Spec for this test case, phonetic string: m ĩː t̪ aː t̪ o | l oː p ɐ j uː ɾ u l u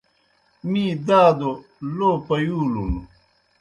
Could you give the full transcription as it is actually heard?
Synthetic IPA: m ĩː d̪ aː d̪ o | l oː p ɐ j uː l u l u